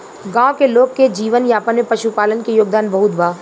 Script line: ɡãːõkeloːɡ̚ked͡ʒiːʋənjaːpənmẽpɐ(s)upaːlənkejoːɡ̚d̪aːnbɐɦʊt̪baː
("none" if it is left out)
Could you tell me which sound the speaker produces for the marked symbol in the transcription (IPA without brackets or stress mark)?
ʃ